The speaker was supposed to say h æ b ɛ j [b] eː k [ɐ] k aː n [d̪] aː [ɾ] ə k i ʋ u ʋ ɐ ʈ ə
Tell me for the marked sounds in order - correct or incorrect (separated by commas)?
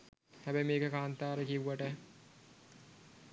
incorrect, incorrect, incorrect, correct